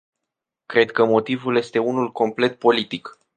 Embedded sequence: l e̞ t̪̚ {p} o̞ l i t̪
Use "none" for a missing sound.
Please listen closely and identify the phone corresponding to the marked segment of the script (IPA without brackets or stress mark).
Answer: p